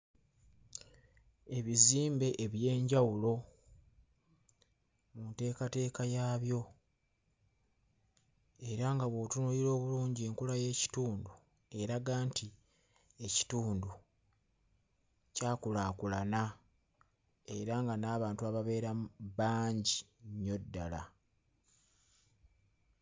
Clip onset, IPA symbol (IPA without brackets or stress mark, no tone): e̞